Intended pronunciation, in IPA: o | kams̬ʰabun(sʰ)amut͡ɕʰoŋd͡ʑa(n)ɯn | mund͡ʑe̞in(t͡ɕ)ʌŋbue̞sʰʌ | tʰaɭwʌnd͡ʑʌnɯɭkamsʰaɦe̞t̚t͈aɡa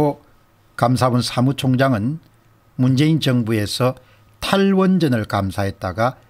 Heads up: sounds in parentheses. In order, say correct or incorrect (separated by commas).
correct, incorrect, correct